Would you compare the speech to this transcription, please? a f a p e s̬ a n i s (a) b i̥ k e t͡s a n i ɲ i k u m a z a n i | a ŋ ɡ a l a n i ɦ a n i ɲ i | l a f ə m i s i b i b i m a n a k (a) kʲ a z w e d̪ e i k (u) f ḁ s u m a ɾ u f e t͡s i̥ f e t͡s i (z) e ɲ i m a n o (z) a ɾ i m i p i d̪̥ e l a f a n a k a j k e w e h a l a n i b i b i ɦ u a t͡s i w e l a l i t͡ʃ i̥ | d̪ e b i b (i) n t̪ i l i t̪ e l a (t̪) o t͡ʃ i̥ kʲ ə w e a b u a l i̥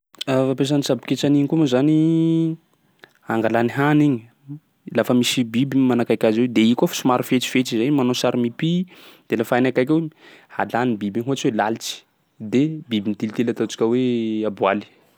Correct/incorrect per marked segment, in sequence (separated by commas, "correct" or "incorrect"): correct, correct, incorrect, correct, incorrect, correct, correct